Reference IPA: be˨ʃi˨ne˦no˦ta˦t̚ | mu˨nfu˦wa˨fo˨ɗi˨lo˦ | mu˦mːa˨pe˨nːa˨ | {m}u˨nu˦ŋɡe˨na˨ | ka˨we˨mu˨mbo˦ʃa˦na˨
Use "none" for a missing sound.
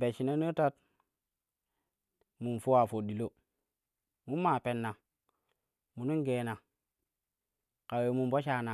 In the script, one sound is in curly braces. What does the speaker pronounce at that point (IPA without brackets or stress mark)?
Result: m